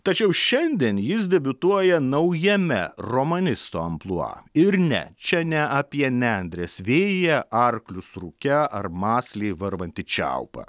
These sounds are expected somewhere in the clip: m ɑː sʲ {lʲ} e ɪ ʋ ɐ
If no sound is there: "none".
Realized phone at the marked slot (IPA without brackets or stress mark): lʲ